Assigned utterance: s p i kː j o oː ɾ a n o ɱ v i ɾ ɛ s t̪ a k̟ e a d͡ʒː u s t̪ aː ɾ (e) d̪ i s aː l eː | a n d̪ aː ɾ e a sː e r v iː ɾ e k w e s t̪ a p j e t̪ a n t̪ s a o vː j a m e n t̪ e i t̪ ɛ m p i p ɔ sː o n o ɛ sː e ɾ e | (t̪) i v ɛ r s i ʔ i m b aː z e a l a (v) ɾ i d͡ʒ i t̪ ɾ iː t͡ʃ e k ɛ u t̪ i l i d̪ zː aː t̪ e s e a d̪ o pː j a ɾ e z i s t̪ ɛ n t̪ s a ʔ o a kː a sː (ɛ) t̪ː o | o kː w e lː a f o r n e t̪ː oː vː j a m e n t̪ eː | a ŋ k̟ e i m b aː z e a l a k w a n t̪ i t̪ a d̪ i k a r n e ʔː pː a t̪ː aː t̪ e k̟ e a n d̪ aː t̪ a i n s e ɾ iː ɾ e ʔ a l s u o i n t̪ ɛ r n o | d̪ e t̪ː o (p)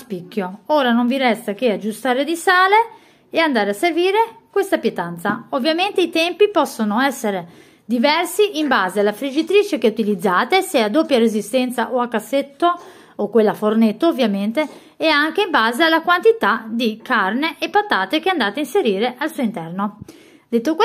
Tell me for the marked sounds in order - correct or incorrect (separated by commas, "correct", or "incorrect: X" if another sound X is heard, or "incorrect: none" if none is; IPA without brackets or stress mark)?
correct, incorrect: d̪, incorrect: f, incorrect: e, incorrect: k